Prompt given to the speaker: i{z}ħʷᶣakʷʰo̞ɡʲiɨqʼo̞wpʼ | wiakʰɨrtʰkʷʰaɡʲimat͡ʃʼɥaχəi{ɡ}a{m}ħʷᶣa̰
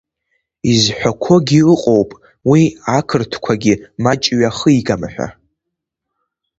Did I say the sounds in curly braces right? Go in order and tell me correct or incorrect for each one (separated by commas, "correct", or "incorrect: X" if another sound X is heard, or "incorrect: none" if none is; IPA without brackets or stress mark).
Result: correct, correct, correct